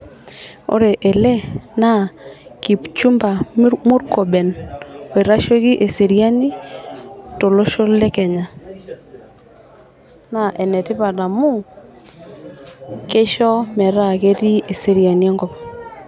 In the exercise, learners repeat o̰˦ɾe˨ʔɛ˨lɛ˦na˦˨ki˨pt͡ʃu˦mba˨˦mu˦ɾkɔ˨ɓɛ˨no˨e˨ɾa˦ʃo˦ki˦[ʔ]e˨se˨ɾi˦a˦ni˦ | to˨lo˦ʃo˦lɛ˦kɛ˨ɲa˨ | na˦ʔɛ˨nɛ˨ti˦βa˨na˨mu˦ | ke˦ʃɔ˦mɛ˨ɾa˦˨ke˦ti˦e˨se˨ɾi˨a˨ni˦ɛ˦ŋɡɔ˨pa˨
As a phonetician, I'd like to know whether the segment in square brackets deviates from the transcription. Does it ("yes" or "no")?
no